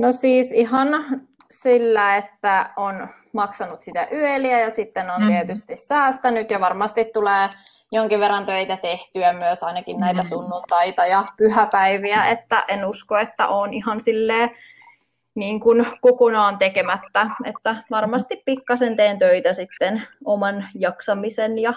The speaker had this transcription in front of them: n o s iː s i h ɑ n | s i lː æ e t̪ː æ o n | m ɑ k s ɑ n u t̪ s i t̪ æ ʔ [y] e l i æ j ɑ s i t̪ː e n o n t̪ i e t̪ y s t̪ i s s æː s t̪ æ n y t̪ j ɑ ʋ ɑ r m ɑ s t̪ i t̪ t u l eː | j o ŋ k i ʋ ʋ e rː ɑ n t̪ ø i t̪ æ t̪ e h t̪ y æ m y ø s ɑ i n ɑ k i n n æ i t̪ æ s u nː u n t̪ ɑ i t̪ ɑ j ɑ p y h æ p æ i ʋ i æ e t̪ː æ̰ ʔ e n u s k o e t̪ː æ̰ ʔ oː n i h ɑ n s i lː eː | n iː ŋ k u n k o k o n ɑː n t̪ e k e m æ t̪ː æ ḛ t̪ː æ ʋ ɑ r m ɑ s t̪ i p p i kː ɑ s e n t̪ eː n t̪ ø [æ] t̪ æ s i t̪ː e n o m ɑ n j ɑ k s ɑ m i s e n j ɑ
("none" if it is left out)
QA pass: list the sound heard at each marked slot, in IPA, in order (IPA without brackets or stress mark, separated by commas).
y, i